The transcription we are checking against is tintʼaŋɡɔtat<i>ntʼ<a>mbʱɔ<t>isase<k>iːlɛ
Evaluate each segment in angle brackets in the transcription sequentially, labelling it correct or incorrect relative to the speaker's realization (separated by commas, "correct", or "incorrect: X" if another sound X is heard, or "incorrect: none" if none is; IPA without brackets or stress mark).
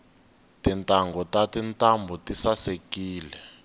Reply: correct, correct, correct, correct